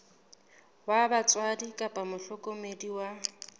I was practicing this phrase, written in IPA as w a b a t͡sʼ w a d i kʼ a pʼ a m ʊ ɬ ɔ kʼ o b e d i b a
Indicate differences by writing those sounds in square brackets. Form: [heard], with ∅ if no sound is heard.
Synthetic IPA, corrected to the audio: w a b a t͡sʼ w a d i kʼ a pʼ a m ʊ ɬ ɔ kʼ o [m] e d i [w] a